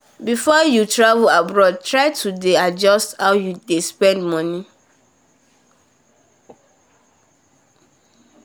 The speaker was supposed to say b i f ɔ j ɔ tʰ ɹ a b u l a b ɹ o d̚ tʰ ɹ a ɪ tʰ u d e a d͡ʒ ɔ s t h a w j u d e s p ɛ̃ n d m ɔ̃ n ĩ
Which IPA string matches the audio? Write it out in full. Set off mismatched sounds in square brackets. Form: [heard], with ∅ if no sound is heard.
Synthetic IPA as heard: b i f ɔ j [u] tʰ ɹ a [v] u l a b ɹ [ɔ] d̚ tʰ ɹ a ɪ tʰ u d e a d͡ʒ ɔ s t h a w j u d e s p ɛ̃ n d m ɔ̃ n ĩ